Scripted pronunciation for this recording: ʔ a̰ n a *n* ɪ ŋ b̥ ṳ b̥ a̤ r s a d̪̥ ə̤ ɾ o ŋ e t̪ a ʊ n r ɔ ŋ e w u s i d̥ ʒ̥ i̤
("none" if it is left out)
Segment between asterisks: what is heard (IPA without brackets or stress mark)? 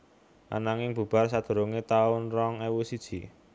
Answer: ŋ